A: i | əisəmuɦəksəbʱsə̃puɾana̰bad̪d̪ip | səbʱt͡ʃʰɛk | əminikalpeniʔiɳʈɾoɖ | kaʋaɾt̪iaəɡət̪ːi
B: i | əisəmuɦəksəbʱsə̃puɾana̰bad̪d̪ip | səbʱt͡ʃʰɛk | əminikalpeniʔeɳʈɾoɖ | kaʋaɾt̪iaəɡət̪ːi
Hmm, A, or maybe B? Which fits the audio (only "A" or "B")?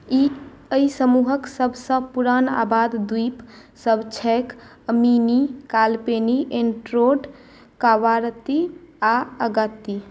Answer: B